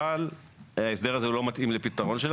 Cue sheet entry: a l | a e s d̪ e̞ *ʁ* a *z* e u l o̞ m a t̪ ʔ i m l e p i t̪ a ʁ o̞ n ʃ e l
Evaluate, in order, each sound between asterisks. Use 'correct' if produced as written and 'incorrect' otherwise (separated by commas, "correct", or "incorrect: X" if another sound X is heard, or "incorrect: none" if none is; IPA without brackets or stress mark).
correct, correct